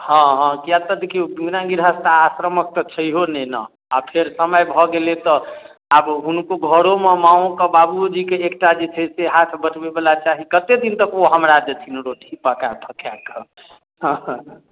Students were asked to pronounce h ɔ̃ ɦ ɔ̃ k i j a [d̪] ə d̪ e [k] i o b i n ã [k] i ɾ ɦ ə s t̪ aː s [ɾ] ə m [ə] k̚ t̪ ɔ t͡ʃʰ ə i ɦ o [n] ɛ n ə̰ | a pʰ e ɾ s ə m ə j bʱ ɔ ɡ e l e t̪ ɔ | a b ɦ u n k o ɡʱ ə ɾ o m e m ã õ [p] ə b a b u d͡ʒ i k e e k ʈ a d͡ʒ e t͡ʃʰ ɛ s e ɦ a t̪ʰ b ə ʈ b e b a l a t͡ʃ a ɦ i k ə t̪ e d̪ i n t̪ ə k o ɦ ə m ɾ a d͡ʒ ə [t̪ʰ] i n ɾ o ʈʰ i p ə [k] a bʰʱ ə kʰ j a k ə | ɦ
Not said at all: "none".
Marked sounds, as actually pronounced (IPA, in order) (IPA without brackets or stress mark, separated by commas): t̪, kʰ, ɡ, ɾ, ə, n, k, t̪ʰ, k